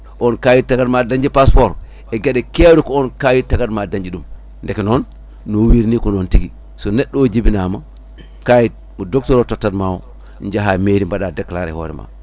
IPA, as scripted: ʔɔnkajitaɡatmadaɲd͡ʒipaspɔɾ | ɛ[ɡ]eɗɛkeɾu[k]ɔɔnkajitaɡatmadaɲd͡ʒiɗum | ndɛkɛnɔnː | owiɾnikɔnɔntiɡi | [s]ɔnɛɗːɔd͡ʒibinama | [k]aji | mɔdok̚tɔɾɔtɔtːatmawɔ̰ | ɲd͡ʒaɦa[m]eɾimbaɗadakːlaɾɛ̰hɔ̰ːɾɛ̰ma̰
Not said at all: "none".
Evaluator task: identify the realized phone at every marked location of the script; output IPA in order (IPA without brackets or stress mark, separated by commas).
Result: ɡ, k, s, k, m